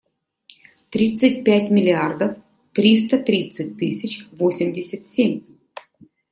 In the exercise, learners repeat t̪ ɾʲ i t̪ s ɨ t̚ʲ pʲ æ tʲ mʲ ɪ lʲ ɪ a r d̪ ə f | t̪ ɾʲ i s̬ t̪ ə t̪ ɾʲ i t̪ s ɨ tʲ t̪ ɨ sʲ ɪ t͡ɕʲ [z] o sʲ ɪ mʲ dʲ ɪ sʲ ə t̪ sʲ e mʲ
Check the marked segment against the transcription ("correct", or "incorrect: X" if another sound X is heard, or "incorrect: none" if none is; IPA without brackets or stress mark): incorrect: v